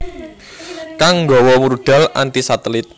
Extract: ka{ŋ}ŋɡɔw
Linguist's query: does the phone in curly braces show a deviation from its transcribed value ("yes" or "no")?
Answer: no